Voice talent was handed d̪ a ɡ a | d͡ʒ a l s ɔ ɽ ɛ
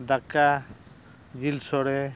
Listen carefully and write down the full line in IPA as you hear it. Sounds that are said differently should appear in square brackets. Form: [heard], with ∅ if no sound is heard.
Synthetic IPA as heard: d̪ a [k] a | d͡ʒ [i] l s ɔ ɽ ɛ